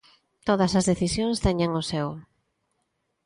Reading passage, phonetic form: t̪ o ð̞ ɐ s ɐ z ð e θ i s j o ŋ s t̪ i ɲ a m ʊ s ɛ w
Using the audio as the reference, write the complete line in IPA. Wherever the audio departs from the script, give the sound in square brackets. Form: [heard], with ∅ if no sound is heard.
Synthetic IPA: t̪ o ð̞ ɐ s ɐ z ð e θ i s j o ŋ s t̪ [ɛ] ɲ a [ŋ] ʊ s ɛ w